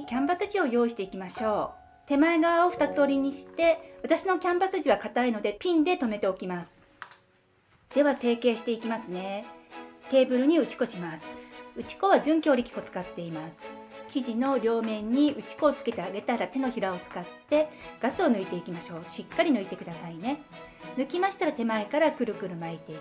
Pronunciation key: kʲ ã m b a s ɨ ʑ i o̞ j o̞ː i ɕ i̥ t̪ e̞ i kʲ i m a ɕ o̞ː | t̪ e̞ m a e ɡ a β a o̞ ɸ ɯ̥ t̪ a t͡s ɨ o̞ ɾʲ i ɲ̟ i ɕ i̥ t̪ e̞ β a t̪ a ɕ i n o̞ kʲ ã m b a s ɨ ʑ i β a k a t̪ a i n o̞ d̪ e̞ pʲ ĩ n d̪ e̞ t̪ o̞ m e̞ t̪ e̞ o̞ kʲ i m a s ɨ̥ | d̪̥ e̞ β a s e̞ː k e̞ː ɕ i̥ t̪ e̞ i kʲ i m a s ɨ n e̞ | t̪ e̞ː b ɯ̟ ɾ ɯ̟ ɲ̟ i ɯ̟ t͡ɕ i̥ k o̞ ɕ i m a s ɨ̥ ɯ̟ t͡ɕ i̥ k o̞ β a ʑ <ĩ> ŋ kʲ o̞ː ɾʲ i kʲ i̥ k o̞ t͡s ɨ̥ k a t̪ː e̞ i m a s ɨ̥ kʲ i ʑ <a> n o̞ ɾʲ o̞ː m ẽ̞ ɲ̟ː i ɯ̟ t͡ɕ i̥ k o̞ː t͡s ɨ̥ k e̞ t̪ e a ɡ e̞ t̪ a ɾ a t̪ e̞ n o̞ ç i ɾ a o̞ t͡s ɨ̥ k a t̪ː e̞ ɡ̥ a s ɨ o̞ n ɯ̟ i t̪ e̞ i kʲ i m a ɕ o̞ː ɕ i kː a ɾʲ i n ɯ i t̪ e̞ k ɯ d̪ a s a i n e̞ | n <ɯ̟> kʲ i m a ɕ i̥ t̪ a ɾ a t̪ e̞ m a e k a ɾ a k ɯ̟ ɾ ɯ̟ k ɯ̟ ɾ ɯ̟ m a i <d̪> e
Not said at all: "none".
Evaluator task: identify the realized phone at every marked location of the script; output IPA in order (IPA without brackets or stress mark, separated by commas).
ɨ̃, i, ɯ̟, t̪